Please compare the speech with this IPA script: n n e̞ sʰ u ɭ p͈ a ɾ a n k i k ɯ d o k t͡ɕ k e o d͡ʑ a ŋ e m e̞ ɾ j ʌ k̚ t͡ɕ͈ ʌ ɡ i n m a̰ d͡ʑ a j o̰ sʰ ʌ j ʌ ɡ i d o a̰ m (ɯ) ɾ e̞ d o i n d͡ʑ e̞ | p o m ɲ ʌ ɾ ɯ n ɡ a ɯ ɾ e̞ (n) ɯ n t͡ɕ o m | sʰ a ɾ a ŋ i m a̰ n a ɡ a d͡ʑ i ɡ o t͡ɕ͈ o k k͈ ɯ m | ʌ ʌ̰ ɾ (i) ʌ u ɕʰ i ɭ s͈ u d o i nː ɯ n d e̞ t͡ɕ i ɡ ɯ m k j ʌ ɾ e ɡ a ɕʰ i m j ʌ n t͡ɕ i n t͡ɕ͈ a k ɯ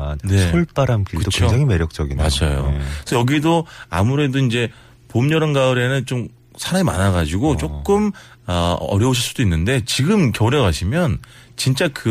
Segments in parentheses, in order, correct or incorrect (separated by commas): incorrect, correct, incorrect